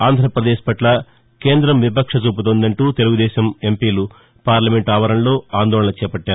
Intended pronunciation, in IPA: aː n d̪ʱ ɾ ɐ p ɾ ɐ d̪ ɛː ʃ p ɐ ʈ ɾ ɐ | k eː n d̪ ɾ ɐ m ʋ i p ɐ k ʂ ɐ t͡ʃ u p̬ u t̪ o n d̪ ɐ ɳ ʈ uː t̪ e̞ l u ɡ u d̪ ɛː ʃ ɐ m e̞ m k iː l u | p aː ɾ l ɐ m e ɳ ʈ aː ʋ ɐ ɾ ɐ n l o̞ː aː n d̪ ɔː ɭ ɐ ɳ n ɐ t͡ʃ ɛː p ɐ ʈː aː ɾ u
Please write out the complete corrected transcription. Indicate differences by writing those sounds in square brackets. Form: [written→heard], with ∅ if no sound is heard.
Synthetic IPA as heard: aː n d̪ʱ ɾ ɐ p ɾ ɐ d̪ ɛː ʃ p ɐ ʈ [ɾ→l] ɐ | k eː n d̪ ɾ ɐ m ʋ i p ɐ k ʂ ɐ t͡ʃ [u→uː] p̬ u t̪ o n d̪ ɐ ɳ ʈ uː t̪ e̞ l u ɡ u d̪ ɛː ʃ ɐ m e̞ m [k→p] iː l u | p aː ɾ l ɐ m e ɳ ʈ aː ʋ ɐ ɾ ɐ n l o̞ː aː n d̪ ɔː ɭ ɐ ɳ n ɐ t͡ʃ ɛː p ɐ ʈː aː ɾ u